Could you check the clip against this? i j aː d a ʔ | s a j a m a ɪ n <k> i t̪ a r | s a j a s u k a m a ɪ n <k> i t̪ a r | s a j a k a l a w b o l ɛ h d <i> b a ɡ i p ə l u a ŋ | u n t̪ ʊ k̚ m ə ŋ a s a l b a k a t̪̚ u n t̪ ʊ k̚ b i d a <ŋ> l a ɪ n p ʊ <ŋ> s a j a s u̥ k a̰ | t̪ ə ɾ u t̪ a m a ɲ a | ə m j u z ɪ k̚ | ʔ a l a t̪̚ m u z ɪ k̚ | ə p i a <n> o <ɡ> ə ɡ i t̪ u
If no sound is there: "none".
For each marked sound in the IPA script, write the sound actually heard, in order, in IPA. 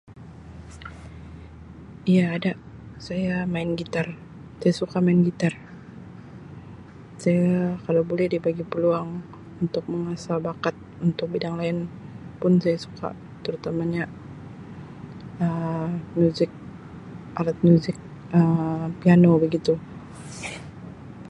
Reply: ɡ, ɡ, i, ŋ, n, n, b

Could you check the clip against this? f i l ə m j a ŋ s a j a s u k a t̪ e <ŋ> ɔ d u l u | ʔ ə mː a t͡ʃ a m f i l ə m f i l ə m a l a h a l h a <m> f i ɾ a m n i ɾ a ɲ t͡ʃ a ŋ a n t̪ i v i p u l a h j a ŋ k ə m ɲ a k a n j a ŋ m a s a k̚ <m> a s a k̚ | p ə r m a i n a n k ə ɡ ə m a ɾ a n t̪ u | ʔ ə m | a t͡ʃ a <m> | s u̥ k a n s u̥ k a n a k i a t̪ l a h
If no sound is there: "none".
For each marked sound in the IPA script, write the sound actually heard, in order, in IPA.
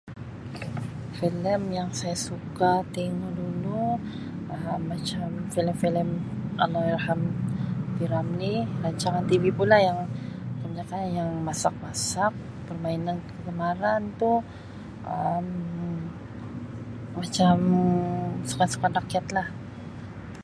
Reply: ŋ, m, m, m

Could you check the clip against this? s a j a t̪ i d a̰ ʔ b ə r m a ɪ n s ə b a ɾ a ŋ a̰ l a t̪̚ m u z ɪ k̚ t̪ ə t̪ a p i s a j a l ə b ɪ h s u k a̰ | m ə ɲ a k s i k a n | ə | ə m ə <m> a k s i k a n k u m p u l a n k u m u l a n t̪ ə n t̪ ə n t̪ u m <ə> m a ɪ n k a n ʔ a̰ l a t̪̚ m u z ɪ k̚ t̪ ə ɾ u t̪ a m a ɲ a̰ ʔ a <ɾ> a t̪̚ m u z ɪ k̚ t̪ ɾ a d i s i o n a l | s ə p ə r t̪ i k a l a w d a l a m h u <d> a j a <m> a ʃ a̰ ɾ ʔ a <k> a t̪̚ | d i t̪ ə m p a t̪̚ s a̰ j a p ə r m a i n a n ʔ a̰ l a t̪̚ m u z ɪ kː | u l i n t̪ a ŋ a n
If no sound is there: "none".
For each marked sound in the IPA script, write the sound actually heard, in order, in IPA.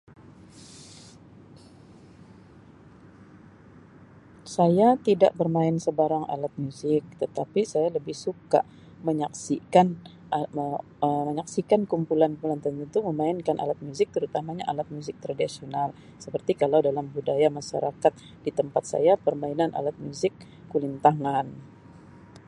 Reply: ɲ, ə, l, d, m, k

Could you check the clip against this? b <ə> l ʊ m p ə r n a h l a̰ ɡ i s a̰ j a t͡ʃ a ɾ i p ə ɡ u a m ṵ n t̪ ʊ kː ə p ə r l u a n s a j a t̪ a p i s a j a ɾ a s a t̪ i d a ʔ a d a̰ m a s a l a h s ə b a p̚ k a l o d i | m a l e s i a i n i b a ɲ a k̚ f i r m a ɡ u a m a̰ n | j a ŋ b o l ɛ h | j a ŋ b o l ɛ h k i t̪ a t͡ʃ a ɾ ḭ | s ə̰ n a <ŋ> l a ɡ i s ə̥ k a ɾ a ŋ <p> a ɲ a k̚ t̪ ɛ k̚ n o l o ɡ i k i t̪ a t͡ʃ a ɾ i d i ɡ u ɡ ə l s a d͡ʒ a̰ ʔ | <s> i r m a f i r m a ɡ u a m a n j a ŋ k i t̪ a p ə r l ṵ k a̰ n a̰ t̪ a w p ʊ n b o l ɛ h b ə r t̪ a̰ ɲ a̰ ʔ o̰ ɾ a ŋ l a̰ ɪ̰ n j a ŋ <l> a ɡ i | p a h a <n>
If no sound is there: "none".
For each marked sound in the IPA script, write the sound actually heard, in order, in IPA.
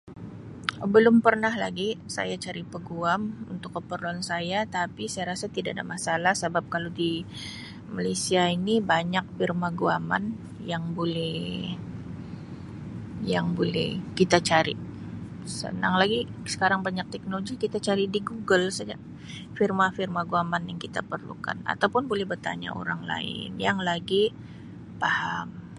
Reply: ə, ŋ, b, f, l, m

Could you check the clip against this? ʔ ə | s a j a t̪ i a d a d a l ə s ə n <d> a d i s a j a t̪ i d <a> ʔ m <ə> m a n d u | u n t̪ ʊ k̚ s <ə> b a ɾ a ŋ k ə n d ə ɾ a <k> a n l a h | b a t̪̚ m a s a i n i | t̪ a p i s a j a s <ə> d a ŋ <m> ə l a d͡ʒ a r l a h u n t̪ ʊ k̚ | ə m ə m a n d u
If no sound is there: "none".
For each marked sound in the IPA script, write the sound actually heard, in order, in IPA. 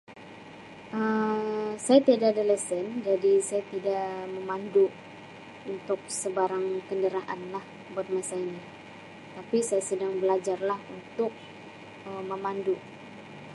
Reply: d͡ʒ, a, ə, ə, ʔ, ə, b

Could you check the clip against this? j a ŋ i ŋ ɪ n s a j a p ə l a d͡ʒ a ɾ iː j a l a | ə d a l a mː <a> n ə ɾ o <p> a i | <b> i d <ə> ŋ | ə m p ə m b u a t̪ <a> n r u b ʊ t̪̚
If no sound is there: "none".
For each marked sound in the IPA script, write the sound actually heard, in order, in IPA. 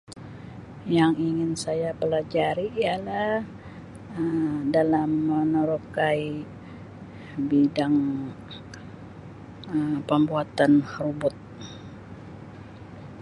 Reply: ə, k, b, a, a

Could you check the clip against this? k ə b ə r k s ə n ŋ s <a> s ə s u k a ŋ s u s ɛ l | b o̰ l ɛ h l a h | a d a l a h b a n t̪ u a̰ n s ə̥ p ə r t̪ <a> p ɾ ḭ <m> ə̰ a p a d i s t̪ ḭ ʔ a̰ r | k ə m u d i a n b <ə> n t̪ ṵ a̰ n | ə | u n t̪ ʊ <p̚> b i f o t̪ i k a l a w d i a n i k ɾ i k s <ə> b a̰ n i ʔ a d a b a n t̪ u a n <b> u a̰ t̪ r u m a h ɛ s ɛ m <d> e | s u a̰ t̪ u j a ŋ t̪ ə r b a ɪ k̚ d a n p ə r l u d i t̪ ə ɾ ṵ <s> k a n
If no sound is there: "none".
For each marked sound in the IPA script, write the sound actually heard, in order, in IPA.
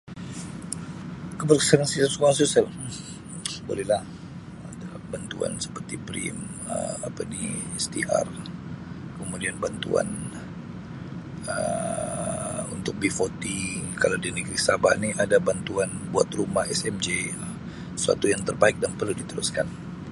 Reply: i, i, m, a, k̚, a, b, d͡ʒ, s

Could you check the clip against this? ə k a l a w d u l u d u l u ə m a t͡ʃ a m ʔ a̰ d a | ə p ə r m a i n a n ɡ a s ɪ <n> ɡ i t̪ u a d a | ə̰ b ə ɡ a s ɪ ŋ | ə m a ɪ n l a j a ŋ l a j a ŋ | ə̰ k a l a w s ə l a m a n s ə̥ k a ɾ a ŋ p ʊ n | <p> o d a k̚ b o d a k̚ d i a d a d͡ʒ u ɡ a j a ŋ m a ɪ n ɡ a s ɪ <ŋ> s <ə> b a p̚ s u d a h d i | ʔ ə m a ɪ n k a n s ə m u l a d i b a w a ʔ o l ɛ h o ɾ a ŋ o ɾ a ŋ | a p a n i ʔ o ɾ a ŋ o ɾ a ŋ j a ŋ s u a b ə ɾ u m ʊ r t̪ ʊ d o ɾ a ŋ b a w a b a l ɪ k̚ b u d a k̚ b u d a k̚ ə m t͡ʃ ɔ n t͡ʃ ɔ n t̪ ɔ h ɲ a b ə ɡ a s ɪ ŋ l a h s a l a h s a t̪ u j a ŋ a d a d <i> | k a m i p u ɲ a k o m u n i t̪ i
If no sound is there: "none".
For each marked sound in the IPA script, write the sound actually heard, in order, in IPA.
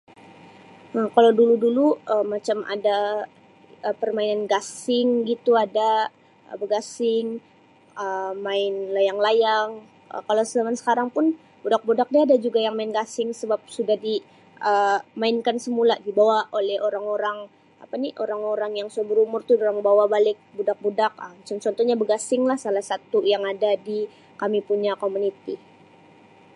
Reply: ŋ, b, ŋ, ə, i

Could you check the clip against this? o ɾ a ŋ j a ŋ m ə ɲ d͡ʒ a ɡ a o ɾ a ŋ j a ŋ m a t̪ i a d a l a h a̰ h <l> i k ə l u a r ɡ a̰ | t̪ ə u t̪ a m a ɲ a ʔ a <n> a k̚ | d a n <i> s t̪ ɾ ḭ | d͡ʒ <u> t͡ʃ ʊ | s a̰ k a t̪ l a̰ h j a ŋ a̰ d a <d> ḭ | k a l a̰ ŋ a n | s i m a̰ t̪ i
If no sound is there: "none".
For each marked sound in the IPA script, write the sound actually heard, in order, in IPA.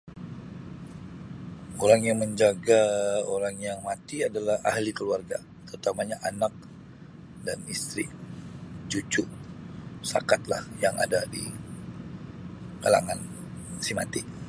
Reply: l, n, i, u, d

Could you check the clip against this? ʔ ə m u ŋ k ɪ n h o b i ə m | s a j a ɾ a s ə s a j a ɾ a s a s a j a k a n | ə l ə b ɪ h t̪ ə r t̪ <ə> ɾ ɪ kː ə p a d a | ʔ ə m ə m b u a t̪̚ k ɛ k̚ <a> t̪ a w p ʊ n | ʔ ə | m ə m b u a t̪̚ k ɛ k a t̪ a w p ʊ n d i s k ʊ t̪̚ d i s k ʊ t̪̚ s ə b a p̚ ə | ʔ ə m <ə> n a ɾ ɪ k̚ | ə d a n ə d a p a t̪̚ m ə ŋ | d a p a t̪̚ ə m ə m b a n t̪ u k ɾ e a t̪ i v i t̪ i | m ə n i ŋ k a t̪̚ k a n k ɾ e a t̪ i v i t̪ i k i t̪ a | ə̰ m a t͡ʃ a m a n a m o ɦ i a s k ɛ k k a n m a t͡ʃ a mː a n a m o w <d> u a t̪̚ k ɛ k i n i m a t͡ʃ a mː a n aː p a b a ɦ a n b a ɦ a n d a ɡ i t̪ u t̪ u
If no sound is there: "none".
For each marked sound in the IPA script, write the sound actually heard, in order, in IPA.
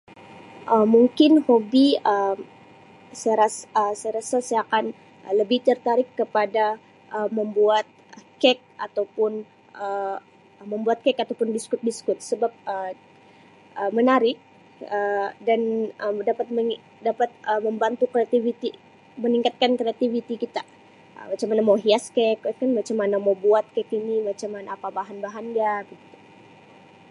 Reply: a, a, ə, b

